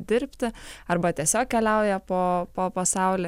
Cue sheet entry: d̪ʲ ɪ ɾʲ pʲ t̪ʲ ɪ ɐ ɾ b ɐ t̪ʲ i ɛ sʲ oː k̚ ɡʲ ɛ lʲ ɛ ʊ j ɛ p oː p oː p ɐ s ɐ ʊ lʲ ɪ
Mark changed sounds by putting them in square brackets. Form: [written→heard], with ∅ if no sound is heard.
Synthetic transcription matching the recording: d̪ʲ ɪ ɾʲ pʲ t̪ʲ ɪ ɐ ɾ b ɐ t̪ʲ i ɛ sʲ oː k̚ [ɡʲ→kʲ] ɛ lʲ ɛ ʊ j ɛ p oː p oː p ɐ s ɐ ʊ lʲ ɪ